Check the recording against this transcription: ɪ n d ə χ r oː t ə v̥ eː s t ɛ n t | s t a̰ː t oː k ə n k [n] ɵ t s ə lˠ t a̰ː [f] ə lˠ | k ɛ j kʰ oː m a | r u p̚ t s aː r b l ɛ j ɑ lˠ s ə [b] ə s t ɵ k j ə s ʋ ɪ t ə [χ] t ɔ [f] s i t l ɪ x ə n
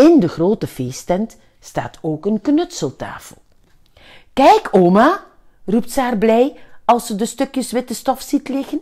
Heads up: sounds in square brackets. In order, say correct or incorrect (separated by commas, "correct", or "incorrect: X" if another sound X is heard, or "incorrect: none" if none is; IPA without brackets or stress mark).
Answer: correct, correct, incorrect: d, incorrect: s, correct